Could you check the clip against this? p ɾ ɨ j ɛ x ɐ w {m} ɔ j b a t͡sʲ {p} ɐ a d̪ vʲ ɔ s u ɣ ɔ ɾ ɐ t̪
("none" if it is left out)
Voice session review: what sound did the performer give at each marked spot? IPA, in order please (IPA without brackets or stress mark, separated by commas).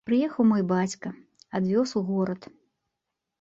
m, k